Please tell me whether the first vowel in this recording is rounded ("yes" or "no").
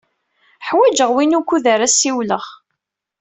no